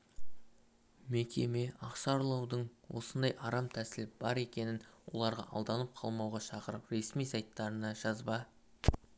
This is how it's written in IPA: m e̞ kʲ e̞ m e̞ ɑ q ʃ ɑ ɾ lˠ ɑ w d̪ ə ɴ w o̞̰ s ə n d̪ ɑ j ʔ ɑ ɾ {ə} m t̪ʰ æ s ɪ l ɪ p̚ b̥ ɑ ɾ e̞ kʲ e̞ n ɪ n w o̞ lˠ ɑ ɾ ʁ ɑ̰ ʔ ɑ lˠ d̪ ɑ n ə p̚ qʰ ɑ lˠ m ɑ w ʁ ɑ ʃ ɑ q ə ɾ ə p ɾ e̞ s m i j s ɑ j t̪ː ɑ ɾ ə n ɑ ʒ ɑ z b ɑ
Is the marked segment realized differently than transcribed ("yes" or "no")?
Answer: yes